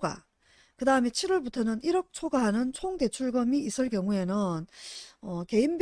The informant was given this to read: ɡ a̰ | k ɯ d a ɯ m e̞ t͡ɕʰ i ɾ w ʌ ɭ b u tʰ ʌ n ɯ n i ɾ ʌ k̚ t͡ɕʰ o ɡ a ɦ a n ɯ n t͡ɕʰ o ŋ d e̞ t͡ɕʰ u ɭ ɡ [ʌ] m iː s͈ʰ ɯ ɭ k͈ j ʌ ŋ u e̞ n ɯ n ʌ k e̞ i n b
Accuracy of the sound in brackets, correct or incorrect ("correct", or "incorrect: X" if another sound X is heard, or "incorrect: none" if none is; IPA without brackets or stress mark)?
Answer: correct